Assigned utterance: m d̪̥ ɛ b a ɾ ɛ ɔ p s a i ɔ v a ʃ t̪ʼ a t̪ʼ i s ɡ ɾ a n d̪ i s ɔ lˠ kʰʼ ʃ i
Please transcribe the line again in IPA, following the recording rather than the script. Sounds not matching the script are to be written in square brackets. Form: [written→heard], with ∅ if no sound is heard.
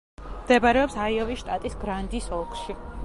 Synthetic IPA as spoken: m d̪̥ ɛ b a ɾ ɛ ɔ p s a i ɔ v [a→i] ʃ t̪ʼ a t̪ʼ i s ɡ ɾ a n d̪ i s ɔ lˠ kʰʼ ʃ i